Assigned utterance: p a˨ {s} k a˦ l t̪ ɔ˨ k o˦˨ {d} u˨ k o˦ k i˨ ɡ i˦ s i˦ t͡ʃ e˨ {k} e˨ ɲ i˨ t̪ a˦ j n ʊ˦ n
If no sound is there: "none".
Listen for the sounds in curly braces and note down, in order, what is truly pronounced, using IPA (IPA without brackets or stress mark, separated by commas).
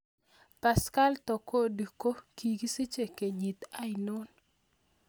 s, d, k